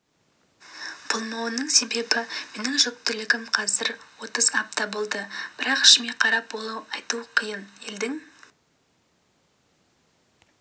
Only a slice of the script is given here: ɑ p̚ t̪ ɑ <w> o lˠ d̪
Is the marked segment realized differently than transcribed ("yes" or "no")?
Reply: yes